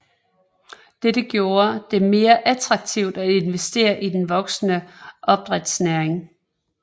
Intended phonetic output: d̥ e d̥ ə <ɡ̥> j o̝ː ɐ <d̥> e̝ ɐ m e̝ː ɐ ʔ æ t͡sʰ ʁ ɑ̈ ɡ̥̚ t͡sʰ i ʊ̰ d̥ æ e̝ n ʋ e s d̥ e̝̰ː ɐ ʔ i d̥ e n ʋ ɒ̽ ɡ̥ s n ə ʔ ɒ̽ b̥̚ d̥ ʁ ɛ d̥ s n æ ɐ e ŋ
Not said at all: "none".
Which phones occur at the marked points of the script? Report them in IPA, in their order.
ɡ̥, d̥

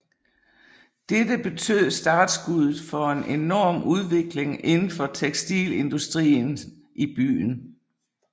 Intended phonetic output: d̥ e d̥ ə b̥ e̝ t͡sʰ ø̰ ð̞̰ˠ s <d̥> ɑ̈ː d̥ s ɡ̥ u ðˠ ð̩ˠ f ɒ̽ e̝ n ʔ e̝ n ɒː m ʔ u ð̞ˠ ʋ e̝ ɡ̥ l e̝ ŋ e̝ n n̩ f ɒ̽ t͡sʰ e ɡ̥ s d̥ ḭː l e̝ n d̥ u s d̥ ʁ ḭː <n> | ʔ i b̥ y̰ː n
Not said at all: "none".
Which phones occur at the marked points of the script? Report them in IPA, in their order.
d̥, n

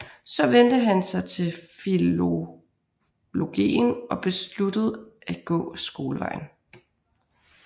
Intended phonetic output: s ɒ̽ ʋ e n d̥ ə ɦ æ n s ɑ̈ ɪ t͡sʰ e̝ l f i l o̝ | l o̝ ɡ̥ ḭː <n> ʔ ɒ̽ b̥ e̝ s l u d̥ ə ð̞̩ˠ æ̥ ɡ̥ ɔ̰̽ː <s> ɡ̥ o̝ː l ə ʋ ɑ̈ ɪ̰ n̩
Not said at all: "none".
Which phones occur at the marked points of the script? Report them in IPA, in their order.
n, s

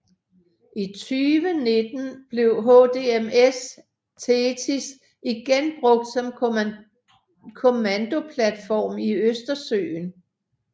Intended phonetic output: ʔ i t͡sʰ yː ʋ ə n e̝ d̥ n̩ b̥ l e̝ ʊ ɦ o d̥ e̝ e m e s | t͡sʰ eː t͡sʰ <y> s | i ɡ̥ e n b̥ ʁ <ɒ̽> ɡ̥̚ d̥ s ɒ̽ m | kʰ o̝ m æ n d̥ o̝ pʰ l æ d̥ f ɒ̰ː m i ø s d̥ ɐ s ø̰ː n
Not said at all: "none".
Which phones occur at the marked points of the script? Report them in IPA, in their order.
i, ɔ̽

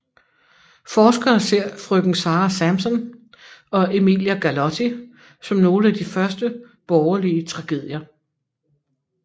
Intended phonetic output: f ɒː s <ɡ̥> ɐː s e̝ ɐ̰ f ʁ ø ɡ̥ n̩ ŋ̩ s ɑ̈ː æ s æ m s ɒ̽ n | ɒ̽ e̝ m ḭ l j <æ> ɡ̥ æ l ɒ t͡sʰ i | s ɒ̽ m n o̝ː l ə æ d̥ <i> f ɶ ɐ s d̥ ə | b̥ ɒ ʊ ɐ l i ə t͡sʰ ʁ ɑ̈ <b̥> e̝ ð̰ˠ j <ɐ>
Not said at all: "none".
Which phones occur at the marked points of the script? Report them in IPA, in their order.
ɡ̥, æ, i, ɡ̥, ɐ

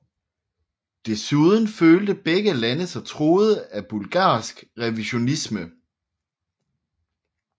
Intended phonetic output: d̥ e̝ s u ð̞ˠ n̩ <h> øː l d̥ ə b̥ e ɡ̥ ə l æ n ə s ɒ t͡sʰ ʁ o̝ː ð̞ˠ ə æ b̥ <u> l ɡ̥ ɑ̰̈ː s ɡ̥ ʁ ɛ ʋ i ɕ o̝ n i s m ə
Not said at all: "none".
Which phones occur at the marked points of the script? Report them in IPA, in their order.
f, u

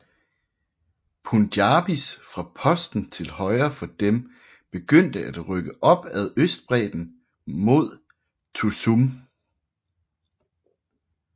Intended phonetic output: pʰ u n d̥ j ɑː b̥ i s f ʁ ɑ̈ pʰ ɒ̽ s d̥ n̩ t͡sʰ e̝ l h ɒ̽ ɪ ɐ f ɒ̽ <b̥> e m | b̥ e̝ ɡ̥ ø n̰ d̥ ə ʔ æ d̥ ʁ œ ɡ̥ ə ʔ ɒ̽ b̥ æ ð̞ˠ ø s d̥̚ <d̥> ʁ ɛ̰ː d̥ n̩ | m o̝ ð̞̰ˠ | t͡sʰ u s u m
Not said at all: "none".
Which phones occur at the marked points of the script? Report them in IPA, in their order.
d̥, b̥

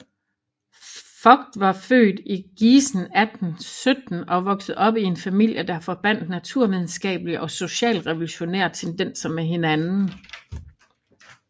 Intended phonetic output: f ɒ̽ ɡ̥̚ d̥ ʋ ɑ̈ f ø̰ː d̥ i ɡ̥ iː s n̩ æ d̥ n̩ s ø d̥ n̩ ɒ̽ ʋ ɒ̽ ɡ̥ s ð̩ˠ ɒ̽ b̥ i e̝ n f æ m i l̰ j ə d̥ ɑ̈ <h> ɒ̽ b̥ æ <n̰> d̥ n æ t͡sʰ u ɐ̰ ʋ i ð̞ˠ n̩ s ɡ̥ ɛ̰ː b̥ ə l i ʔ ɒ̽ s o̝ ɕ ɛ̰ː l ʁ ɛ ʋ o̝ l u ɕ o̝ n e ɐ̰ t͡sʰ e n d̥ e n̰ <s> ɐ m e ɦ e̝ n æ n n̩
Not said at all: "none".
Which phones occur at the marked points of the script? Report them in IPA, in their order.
f, n̰, s

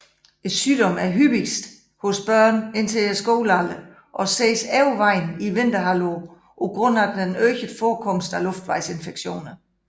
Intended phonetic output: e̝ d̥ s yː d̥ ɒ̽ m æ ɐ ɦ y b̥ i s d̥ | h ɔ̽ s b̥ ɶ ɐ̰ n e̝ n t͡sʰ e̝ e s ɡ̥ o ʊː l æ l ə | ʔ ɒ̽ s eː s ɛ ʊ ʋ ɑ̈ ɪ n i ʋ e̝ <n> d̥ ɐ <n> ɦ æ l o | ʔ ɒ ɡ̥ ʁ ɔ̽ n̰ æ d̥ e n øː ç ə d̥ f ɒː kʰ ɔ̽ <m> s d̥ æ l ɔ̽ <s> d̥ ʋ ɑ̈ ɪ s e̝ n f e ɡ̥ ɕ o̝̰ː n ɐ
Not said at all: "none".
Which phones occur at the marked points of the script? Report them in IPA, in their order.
n, none, m, f

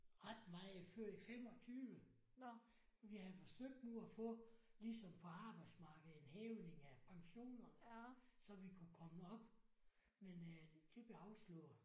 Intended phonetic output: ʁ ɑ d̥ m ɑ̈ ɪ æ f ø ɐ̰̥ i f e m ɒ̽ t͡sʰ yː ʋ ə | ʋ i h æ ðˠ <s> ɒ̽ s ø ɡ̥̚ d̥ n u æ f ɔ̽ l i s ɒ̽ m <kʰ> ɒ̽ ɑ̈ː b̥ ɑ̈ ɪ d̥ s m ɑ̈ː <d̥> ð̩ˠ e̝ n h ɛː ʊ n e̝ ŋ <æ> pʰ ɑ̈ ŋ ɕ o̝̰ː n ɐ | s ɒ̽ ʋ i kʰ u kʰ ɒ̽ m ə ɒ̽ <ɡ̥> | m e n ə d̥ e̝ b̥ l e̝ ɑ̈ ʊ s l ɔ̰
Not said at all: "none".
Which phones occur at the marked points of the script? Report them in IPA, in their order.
f, pʰ, ɡ̥, æ, b̥

